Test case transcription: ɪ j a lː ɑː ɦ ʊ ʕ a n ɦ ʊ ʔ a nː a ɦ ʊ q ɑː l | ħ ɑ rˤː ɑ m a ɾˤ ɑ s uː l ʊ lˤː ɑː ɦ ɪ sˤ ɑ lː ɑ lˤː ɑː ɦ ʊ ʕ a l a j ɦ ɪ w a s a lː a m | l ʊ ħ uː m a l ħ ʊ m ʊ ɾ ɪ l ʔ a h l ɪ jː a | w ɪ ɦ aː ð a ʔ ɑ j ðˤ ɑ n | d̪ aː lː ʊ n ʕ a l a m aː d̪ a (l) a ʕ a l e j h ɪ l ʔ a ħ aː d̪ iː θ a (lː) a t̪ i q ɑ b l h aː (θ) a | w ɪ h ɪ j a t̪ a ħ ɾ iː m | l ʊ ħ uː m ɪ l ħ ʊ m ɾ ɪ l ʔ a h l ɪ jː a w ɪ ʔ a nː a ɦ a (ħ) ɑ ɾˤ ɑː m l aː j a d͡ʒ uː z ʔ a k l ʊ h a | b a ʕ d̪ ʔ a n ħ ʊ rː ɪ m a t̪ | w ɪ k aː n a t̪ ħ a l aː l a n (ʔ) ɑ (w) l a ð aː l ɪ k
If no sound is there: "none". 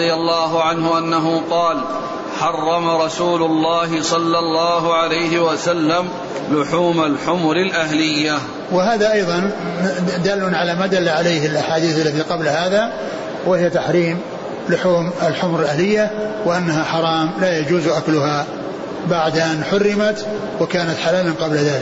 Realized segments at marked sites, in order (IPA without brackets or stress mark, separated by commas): lː, lː, ð, ħ, q, b